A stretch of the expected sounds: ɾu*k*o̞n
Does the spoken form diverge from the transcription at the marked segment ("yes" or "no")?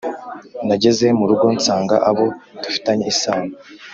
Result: yes